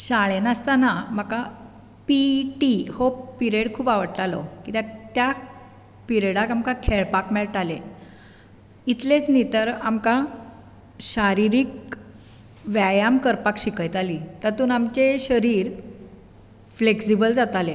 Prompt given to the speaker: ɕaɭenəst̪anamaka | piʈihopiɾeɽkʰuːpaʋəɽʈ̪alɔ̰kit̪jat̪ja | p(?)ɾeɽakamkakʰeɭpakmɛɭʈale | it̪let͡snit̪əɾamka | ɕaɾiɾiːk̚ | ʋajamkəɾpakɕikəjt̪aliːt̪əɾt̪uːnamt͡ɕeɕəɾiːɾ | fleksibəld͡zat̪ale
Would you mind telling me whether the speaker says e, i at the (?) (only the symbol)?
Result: i